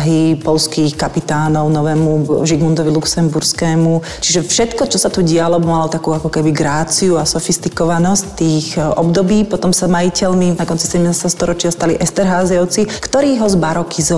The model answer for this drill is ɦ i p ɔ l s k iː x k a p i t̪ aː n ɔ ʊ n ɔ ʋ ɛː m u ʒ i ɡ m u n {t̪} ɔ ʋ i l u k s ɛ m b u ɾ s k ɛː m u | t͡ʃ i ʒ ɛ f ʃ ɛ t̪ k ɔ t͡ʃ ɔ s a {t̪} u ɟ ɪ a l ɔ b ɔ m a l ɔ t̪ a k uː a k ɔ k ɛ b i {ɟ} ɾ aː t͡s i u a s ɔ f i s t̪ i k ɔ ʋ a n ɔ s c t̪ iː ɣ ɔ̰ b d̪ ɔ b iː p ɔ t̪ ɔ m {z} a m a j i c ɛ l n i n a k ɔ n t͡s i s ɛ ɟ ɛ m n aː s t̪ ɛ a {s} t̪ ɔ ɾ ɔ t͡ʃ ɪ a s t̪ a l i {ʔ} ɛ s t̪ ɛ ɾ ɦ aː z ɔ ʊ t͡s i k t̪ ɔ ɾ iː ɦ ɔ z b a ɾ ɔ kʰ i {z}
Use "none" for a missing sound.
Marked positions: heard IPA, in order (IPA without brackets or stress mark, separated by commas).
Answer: d̪, t̪, ɡ, s, s, ʔ, z